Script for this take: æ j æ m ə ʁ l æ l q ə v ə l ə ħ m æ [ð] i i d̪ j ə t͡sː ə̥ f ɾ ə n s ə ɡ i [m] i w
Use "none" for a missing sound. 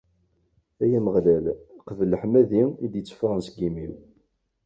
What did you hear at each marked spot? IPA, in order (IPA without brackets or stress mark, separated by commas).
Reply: ð, m